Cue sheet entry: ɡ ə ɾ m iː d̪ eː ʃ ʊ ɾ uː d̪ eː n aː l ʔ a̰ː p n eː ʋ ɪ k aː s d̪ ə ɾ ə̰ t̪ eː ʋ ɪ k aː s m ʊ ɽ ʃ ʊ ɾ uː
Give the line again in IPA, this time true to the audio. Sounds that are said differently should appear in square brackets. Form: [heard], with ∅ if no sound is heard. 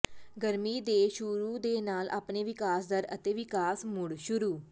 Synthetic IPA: ɡ ə ɾ m iː d̪ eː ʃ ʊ ɾ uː d̪ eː n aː l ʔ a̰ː p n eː ʋ ɪ k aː s d̪ ə ɾ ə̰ t̪ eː ʋ ɪ k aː s m ʊ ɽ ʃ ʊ ɾ uː